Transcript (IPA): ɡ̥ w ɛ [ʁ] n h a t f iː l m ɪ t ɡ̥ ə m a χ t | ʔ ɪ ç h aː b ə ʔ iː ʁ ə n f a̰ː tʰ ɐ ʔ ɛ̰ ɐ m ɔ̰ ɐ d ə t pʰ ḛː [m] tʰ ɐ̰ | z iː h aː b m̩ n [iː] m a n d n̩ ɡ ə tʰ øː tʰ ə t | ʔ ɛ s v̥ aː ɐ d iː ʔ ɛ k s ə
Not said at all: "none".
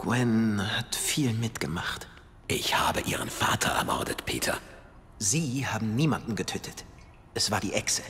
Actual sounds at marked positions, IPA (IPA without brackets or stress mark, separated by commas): none, none, iː